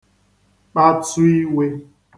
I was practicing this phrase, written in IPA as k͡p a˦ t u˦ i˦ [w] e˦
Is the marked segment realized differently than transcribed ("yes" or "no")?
no